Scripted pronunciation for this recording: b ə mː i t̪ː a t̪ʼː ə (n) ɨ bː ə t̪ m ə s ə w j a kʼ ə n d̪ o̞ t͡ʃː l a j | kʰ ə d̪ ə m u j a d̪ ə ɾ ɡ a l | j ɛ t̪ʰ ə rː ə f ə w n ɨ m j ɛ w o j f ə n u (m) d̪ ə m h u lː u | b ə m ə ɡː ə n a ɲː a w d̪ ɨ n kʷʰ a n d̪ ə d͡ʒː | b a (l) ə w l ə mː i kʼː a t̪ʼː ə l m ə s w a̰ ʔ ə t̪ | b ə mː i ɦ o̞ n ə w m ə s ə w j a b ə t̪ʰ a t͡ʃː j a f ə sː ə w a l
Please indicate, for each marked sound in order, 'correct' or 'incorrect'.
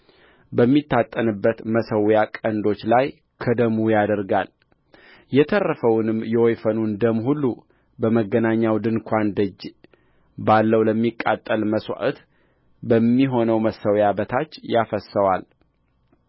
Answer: correct, incorrect, incorrect

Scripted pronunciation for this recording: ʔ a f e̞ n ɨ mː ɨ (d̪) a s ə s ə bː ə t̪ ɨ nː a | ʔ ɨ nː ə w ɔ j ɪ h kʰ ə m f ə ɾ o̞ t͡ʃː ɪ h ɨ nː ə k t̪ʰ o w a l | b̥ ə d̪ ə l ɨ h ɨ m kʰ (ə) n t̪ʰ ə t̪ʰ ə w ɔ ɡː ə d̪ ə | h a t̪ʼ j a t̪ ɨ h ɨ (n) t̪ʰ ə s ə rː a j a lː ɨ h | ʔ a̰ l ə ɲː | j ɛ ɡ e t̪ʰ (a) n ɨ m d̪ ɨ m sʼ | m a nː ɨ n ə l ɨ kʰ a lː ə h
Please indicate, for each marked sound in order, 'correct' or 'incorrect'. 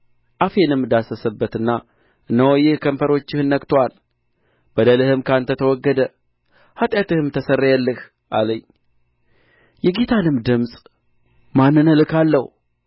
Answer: correct, incorrect, incorrect, correct

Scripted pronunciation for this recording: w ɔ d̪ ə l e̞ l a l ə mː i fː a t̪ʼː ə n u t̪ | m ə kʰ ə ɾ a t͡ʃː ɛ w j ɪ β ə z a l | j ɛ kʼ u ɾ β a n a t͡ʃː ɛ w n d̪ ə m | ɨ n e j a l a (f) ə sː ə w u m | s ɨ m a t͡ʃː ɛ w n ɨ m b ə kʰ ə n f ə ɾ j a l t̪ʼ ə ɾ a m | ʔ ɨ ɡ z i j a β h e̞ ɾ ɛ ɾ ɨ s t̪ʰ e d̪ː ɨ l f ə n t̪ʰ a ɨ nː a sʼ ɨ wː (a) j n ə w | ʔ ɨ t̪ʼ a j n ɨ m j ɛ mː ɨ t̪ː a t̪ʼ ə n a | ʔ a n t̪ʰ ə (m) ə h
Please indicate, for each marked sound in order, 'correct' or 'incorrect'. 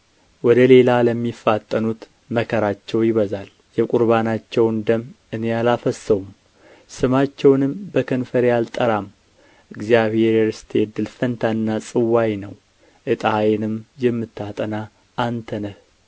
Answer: correct, correct, incorrect

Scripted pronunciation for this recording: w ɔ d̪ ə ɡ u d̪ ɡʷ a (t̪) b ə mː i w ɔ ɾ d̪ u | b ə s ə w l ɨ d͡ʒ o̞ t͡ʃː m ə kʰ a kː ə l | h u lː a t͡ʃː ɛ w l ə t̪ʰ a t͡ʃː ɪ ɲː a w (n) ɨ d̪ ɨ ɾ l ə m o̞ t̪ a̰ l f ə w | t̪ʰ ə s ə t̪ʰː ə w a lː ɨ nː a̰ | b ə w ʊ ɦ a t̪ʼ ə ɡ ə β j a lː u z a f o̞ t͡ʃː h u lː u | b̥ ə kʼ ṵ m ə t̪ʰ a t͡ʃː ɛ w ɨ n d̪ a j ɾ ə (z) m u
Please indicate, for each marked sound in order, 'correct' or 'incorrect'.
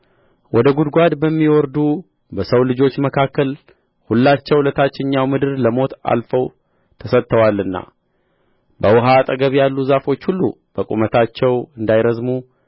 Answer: incorrect, incorrect, correct

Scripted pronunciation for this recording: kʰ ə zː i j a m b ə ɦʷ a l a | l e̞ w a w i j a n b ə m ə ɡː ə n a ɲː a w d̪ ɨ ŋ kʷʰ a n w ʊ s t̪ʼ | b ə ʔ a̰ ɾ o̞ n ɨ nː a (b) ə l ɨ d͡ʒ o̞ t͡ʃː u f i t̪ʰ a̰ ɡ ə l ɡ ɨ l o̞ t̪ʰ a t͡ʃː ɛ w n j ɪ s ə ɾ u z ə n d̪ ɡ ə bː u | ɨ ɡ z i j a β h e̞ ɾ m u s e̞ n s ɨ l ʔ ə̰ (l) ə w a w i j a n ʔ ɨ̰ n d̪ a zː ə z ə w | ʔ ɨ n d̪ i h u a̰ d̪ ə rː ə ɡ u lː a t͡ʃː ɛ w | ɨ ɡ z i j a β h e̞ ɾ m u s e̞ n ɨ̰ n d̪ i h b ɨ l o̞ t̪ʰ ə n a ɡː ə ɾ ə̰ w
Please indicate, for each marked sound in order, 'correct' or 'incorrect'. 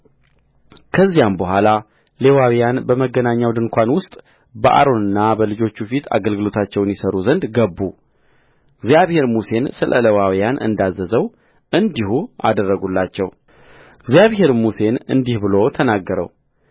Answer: correct, correct

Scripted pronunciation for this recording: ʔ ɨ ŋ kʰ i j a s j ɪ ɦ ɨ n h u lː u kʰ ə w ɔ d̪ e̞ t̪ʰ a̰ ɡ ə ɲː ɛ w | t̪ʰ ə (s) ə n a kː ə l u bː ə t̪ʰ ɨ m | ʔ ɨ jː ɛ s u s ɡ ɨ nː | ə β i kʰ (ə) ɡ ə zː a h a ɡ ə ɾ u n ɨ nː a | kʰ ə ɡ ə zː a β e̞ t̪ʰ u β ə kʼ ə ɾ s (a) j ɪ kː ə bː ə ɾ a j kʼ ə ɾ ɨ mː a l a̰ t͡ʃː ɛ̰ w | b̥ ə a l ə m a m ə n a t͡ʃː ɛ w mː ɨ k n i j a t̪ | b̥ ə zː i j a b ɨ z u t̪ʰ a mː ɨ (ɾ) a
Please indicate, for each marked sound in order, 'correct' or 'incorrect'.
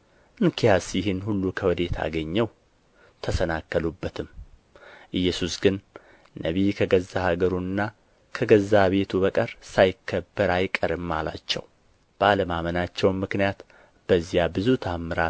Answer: correct, correct, correct, correct

